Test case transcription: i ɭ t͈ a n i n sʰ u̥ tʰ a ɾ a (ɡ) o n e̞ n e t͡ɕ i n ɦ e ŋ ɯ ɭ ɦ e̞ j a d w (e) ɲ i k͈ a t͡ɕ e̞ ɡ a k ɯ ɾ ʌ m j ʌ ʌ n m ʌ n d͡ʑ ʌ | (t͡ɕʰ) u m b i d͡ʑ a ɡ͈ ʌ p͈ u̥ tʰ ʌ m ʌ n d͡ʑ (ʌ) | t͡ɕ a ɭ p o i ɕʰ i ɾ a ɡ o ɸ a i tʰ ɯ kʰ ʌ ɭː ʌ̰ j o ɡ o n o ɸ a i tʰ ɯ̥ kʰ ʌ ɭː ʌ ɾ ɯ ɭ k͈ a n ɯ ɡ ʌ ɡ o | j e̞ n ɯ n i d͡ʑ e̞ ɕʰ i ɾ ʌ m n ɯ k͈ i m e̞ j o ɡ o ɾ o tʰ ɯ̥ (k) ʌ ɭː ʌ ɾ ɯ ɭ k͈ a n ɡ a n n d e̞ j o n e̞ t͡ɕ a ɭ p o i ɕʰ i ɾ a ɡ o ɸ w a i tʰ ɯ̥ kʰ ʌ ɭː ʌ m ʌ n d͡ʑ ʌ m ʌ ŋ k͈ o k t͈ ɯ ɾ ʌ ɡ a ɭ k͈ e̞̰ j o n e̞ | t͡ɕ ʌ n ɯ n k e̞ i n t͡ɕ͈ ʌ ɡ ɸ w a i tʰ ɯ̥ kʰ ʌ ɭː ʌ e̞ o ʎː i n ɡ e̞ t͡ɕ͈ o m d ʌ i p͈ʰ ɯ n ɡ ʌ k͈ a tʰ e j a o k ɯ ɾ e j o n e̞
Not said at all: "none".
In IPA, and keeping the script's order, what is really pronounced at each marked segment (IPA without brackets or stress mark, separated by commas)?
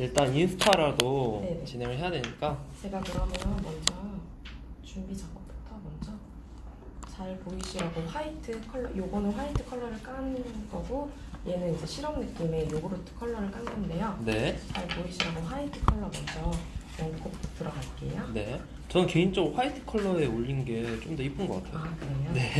d, e, t͡ɕ, ʌ, kʰ